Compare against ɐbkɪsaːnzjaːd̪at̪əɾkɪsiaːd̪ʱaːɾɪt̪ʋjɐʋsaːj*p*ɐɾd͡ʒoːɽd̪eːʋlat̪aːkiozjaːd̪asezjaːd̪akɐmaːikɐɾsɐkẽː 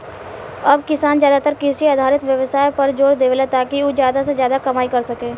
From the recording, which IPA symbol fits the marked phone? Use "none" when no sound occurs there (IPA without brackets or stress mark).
p